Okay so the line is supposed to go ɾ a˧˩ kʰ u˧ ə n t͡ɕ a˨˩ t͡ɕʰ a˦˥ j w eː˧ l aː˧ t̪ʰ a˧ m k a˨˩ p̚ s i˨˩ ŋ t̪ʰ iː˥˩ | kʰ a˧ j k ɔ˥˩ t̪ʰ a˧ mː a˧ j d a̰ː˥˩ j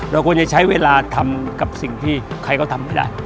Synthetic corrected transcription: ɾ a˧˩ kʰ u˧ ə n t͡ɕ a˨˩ t͡ɕʰ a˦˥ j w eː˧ l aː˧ t̪ʰ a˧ m k a˨˩ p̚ s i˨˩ ŋ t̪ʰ iː˥˩ | kʰ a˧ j k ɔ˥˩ t̪ʰ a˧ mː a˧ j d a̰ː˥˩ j